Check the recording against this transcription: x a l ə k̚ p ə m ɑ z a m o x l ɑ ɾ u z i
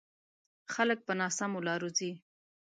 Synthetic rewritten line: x a l ə k̚ p ə n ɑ s a m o l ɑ ɾ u z i